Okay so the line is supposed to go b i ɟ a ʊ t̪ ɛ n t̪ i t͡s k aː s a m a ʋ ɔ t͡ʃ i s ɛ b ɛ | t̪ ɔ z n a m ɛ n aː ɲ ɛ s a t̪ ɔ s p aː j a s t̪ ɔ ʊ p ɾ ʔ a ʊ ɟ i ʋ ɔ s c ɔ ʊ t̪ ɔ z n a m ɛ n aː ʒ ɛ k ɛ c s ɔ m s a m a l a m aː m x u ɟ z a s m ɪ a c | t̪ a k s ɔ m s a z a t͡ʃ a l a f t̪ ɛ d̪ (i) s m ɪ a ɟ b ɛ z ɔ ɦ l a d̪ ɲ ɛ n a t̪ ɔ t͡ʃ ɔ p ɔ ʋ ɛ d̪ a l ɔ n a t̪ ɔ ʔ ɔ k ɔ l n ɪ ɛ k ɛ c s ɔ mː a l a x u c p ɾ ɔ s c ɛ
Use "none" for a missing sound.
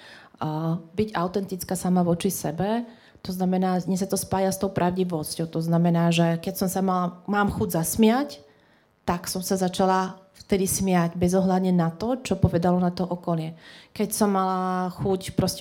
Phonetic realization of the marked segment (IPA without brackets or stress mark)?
i